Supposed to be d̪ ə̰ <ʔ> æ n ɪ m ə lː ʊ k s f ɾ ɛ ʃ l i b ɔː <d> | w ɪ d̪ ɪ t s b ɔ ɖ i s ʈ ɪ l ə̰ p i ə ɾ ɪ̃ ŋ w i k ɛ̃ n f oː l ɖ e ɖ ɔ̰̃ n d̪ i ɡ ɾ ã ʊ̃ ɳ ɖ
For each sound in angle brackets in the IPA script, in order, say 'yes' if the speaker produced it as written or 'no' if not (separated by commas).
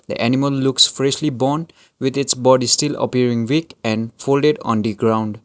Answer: yes, no